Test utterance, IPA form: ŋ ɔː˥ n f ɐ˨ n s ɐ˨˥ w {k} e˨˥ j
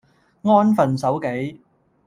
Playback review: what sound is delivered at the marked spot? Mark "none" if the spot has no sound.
k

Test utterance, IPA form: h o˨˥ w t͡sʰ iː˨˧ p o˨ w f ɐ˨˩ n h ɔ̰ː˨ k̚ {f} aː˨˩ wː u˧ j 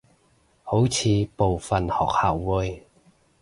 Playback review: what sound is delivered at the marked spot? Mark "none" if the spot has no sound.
h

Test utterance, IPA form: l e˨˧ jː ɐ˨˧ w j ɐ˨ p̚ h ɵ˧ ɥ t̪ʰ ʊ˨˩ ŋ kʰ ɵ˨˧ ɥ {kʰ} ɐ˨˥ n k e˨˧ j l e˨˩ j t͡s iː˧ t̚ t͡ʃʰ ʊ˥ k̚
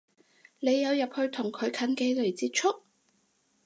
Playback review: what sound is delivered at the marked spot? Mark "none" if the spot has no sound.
kʰ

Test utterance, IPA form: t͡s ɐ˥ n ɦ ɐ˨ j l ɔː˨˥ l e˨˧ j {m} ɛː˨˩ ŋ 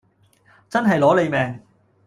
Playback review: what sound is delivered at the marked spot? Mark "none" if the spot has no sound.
m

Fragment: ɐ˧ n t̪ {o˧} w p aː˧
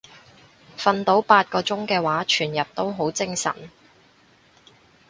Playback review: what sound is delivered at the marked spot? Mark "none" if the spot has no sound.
o˨˥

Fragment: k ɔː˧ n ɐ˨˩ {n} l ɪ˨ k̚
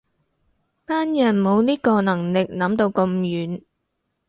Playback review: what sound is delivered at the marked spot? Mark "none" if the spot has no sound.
ŋ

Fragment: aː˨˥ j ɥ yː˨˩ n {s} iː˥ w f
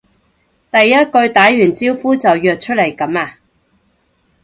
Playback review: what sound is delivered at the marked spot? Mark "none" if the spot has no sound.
t͡s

